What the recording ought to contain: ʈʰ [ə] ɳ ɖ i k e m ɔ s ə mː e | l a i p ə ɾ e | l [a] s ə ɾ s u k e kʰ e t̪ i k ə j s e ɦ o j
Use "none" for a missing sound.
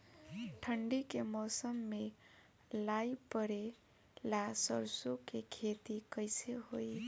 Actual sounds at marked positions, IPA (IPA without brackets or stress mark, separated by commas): ə, a